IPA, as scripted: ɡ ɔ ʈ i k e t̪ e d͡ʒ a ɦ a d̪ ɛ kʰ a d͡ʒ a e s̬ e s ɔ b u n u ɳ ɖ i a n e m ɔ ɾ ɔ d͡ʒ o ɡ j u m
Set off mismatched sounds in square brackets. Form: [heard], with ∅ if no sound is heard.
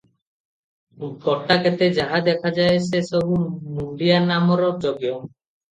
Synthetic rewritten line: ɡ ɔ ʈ [a] k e t̪ e d͡ʒ a ɦ a d̪ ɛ kʰ a d͡ʒ a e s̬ e s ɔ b u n u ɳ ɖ i a n [a] m ɔ ɾ ɔ d͡ʒ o ɡ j [ɔ] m